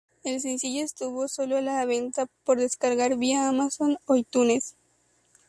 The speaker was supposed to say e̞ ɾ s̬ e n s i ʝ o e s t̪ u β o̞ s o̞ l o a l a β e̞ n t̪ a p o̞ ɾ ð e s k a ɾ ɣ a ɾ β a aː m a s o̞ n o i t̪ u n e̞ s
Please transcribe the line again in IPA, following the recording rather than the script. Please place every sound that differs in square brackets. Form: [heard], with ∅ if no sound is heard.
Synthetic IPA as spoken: e̞ [l] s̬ e n s i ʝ o e s t̪ u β o̞ s o̞ l o a l a β e̞ n t̪ a p o̞ ɾ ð e s k a ɾ ɣ a ɾ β [i] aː m a s o̞ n o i t̪ u n e̞ s